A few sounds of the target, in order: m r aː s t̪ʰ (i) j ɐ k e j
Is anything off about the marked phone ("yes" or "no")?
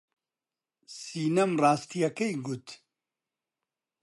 no